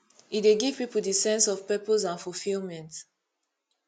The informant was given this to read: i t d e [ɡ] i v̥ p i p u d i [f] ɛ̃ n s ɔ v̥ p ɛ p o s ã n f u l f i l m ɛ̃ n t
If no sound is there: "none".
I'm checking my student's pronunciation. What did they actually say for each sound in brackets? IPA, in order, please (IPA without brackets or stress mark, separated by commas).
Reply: ɡ, s